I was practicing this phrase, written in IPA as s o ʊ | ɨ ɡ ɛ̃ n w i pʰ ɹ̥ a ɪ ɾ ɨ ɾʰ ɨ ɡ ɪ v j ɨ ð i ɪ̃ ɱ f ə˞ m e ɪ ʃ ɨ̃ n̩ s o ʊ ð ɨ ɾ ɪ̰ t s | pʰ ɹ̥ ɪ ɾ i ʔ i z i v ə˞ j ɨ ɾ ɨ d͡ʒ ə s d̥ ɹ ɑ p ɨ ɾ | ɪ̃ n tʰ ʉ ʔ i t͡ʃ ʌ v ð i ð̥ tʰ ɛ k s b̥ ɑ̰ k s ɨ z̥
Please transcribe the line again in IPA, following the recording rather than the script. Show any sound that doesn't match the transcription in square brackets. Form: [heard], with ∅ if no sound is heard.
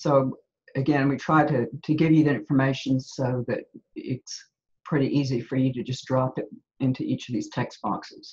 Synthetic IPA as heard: s o ʊ | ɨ ɡ ɛ̃ n w i [tʰ] ɹ̥ a ɪ ɾ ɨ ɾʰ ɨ ɡ ɪ v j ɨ ð i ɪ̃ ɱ f ə˞ m e ɪ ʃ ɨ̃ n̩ s o ʊ ð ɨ ɾ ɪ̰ t s | pʰ ɹ̥ ɪ ɾ i ʔ i z i [f] ə˞ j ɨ ɾ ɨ d͡ʒ [ʌ] s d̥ ɹ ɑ p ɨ ɾ | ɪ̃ n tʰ ʉ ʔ i t͡ʃ ʌ v ð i [z̥] tʰ ɛ k s b̥ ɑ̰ k s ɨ z̥